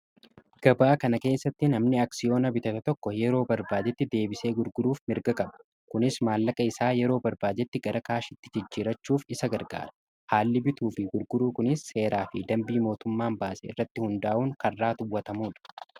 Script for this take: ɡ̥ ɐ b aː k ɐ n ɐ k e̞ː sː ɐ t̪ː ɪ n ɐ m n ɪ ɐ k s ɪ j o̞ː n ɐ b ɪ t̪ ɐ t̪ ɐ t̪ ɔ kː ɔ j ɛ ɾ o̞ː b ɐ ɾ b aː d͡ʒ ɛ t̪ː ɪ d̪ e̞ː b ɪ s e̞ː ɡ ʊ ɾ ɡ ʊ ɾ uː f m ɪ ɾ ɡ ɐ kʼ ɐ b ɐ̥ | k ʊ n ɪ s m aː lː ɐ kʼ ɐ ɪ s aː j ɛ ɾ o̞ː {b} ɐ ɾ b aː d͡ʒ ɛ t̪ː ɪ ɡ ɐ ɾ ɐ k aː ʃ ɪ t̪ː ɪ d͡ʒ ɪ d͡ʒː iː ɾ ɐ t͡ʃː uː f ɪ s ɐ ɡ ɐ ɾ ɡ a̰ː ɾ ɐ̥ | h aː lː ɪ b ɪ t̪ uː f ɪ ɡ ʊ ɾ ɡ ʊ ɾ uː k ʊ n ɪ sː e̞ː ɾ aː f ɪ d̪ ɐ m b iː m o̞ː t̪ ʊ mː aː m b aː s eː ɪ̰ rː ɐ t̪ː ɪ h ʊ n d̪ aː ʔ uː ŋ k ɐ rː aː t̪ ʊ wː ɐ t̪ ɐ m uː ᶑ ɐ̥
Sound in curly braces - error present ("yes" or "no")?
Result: no